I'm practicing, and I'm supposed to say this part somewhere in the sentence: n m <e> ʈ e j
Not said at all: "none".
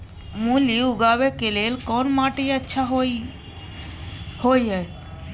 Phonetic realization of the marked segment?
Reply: a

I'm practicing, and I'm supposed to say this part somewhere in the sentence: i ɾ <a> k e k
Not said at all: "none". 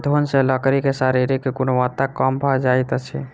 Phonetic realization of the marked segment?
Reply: i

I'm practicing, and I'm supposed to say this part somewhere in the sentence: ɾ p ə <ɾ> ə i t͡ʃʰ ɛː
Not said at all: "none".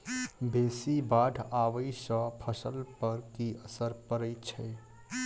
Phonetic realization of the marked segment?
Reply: ɾ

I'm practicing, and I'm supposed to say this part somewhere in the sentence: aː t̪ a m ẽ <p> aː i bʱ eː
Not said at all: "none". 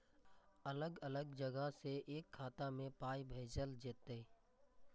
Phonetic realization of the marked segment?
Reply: p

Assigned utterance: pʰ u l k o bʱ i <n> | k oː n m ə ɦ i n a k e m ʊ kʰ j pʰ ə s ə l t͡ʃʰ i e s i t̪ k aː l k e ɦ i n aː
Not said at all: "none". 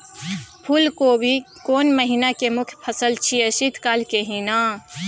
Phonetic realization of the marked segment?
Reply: none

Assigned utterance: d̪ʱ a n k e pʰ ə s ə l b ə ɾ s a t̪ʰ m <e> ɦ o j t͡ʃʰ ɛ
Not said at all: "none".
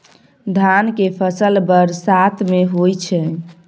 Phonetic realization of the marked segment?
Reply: e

